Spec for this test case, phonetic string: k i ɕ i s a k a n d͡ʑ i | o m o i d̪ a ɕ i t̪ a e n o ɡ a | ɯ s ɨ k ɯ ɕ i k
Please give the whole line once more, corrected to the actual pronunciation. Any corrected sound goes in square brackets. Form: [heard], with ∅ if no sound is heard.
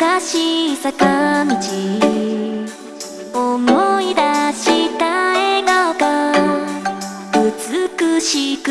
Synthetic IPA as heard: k [a] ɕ i s a k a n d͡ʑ i | o m o i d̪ a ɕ i t̪ a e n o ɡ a | ɯ [t͡s] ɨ k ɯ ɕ i k